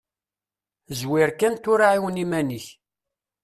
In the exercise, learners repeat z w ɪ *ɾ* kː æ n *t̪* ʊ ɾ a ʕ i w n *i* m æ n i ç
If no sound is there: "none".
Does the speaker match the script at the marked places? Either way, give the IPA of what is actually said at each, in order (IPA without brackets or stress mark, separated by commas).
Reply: ɾ, t̪, i